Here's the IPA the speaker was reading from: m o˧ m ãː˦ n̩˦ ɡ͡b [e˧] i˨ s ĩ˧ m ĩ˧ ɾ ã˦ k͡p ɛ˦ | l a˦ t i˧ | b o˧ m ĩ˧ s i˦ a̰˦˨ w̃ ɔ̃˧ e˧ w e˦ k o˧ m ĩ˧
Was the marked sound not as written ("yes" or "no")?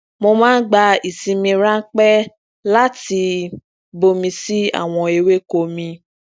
yes